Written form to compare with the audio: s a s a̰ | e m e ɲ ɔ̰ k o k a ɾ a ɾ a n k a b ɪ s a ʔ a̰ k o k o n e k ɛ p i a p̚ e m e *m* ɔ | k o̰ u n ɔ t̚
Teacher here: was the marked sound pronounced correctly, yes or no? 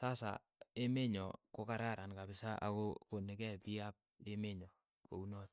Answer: no